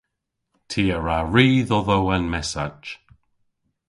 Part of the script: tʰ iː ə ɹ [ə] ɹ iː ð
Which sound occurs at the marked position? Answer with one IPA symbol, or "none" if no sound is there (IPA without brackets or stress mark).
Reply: a